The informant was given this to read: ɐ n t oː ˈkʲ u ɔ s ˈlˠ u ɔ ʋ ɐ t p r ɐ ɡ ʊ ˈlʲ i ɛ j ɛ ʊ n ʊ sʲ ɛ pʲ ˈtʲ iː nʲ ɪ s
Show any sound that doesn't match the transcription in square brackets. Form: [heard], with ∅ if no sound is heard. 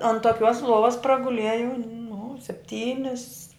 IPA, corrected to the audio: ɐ n t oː ˈkʲ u ɔ s ˈlˠ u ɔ ʋ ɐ [s] p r ɐ ɡ ʊ ˈlʲ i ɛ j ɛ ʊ n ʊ sʲ ɛ pʲ ˈtʲ iː nʲ ɪ s

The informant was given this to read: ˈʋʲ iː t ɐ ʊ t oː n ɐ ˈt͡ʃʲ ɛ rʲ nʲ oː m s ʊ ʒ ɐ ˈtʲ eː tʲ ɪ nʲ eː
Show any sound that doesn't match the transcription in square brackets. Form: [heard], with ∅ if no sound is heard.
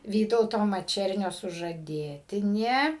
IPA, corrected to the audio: ˈʋʲ iː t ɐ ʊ t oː [m] ɐ ˈt͡ʃʲ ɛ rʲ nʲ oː [∅] s ʊ ʒ ɐ [ˈdʲ] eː tʲ ɪ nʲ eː

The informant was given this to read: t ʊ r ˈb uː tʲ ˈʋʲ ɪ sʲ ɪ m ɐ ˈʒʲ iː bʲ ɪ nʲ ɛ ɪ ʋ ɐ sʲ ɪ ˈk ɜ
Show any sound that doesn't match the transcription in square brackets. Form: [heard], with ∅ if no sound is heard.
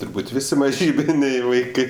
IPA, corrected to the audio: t ʊ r ˈb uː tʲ ˈʋʲ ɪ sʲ ɪ m ɐ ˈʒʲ iː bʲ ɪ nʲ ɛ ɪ ʋ ɐ [∅] ɪ ˈk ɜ

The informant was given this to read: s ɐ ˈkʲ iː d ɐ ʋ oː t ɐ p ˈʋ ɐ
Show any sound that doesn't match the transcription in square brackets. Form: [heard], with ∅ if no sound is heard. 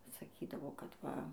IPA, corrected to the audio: s ɐ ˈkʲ iː d ɐ ʋ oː [k] ɐ [t] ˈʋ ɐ

